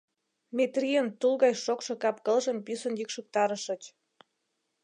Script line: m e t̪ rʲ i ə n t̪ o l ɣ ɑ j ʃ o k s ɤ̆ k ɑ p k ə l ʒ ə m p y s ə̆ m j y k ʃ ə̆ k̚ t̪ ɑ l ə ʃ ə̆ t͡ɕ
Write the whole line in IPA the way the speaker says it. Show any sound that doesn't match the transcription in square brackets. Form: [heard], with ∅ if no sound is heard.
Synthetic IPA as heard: m e t̪ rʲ i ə n t̪ [u] l ɣ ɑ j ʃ o k [ʃ] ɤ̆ k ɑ p k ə l ʒ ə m p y s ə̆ [n] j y k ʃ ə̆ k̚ t̪ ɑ [ɾ] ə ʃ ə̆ t͡ɕ